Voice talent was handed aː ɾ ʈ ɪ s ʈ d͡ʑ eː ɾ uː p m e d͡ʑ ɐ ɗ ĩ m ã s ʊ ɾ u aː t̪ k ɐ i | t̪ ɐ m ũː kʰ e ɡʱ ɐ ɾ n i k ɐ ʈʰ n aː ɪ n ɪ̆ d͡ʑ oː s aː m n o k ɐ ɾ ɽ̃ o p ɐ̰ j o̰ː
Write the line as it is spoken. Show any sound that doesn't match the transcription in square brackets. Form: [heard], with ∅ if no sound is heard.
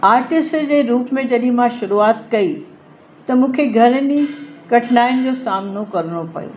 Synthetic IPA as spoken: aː ɾ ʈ ɪ s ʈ d͡ʑ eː ɾ uː p m [ẽ] d͡ʑ ɐ ɗ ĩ m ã [ʃ] ʊ ɾ u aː t̪ k ɐ i | t̪ ɐ m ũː kʰ e ɡʱ ɐ ɾ n i k ɐ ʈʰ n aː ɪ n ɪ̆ d͡ʑ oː s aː m n o k ɐ ɾ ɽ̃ o p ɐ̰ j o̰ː